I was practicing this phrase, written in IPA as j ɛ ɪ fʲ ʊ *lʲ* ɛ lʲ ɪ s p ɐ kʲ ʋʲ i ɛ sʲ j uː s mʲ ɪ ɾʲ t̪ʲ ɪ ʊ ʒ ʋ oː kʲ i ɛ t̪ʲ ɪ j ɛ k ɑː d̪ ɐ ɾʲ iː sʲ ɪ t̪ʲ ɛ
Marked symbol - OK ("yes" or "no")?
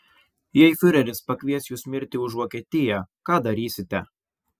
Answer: no